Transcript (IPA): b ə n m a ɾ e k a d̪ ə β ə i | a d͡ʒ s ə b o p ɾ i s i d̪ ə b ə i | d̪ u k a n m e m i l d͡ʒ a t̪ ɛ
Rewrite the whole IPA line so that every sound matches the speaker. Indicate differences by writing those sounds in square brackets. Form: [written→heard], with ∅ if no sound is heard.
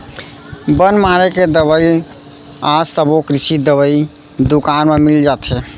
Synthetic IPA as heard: b ə n m a ɾ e k [a→e] d̪ ə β ə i | a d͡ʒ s ə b o [p→k] ɾ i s i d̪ ə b ə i | d̪ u k a n m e m i l d͡ʒ a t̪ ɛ

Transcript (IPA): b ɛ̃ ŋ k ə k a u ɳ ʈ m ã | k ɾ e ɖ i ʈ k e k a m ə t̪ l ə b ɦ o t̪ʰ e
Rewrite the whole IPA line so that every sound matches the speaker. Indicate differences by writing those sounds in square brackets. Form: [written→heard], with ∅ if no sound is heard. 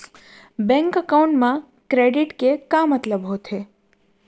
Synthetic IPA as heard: b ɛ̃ ŋ k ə k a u ɳ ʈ m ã | k ɾ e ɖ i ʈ k e k a m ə t̪ l ə b ɦ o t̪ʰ e

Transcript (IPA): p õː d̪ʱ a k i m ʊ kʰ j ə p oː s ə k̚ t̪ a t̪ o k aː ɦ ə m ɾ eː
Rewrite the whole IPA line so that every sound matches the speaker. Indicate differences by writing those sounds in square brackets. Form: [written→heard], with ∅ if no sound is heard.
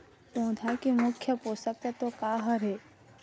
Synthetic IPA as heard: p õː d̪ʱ a k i m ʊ kʰ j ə p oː s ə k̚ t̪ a t̪ o k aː ɦ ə [m→∅] ɾ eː

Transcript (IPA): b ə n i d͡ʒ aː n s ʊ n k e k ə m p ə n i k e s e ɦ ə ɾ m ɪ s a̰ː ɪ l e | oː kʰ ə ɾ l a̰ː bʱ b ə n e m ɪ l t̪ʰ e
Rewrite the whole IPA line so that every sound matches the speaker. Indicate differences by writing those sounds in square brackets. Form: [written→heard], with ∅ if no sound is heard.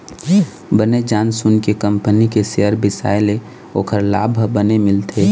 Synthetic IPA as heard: b ə n [i→e] d͡ʒ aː n s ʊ n k e k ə m p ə n i k e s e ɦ ə ɾ [m→b] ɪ s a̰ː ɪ l e | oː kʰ ə ɾ l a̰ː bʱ b ə n e m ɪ l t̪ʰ e

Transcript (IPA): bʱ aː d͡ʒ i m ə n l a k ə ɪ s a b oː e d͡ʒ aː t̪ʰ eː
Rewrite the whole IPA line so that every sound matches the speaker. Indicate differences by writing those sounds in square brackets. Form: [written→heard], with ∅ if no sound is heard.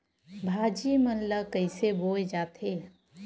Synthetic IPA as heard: bʱ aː d͡ʒ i m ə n l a k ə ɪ s [a→e] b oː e d͡ʒ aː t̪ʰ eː

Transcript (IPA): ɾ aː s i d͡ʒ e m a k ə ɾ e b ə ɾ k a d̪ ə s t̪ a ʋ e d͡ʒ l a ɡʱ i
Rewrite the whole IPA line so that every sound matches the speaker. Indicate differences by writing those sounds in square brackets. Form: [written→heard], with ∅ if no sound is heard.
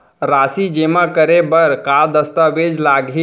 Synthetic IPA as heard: ɾ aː s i d͡ʒ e m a k ə ɾ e b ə ɾ k a d̪ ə s t̪ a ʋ e d͡ʒ l a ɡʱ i

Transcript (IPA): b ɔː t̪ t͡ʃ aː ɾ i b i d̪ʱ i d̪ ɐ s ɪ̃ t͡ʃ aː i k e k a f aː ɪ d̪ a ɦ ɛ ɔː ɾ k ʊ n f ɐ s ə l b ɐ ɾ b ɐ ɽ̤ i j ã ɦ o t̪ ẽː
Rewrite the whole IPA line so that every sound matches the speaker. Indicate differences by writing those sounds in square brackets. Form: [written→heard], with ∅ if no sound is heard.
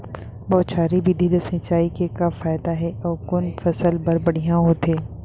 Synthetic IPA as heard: b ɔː t̪ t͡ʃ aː ɾ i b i d̪ʱ i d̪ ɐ s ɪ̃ t͡ʃ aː i k e k a f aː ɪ d̪ a ɦ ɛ ɔː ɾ k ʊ n f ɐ s ə l b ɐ ɾ b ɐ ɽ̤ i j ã ɦ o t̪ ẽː

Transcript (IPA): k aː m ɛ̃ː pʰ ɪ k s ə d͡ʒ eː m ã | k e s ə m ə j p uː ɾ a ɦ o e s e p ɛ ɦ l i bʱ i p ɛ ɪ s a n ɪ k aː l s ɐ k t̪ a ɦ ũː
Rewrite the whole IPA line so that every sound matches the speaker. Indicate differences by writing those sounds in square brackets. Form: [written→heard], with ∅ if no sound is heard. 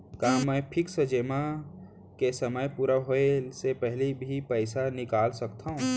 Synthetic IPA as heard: k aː m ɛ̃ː pʰ ɪ k s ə d͡ʒ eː m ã | k e s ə m ə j p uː ɾ a ɦ o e s e p ɛ ɦ l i bʱ i p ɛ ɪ s a n ɪ k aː l s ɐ k t̪ a ɦ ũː

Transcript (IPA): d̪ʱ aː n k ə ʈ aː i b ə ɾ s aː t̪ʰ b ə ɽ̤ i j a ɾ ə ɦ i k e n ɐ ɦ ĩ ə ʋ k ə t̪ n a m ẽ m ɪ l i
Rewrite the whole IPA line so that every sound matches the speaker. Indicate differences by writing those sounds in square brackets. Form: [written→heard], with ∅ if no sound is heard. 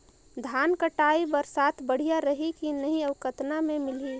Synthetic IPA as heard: d̪ʱ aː n k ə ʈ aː i b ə ɾ s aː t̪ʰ b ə ɽ̤ i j a ɾ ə ɦ i k [e→i] n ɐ ɦ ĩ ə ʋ k ə t̪ n a m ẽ m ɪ l i

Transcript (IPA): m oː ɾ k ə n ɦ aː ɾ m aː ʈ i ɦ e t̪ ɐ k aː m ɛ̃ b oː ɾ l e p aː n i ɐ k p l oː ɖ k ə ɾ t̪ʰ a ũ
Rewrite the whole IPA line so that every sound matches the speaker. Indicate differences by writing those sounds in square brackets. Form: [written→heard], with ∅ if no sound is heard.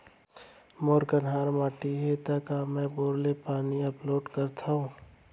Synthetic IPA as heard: m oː ɾ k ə n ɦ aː ɾ m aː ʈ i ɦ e t̪ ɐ k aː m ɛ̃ b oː ɾ l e p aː n i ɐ [k→∅] p l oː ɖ k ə ɾ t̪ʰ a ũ

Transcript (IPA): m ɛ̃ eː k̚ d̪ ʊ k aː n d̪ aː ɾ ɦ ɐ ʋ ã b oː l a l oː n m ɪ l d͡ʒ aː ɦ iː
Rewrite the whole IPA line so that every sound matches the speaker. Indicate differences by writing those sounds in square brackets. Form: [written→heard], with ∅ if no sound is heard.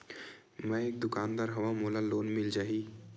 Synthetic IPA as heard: m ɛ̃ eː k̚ d̪ ʊ k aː n d̪ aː ɾ ɦ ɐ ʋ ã [b→m] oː l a l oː n m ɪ l d͡ʒ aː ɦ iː

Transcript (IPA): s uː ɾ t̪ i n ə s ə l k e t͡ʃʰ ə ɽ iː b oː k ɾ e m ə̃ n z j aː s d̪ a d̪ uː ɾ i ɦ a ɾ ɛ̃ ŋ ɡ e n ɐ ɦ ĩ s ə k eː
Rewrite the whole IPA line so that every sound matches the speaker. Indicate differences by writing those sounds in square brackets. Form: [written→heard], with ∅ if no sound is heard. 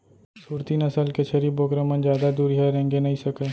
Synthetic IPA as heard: s uː ɾ t̪ i n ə s ə l k e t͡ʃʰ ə [ɽ→ɾ] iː b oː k ɾ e m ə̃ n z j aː [s→∅] d̪ a d̪ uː ɾ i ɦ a ɾ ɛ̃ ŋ ɡ e n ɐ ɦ ĩ s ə k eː

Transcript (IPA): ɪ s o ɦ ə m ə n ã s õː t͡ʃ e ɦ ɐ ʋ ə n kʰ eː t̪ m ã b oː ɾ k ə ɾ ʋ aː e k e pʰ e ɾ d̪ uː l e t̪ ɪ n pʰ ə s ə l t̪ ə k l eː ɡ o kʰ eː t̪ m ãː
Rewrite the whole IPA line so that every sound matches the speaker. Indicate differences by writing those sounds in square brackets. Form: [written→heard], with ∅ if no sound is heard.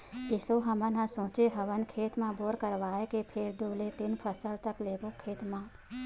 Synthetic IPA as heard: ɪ s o ɦ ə m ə n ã s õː t͡ʃ e ɦ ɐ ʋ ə n kʰ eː t̪ m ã b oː ɾ k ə ɾ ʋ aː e k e pʰ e ɾ d̪ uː l e t̪ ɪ n pʰ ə s ə l t̪ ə k l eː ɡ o kʰ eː t̪ m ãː

